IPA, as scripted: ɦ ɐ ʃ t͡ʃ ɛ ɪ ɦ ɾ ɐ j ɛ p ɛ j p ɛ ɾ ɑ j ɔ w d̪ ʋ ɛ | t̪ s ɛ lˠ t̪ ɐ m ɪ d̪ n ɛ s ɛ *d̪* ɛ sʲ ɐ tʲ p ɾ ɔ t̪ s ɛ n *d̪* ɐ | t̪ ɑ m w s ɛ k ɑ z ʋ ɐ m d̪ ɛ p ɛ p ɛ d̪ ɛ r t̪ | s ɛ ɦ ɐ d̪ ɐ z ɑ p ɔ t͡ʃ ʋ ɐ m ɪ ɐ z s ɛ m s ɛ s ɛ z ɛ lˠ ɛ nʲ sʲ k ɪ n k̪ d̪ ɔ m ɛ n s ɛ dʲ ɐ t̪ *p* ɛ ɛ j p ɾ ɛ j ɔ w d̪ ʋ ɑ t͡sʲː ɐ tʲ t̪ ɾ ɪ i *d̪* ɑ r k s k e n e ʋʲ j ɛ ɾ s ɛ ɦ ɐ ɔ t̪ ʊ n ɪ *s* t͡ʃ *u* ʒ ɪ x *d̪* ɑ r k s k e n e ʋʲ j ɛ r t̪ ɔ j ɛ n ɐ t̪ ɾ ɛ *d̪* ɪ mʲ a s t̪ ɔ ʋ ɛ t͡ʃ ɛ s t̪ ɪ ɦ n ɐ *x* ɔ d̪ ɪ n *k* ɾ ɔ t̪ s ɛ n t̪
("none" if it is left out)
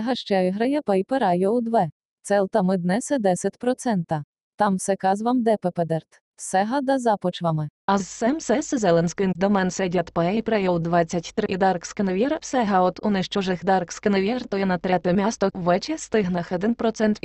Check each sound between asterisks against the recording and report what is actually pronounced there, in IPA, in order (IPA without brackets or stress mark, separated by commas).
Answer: d̪, t̪, p, d̪, ʃ, ɔ, d̪, t̪, x, p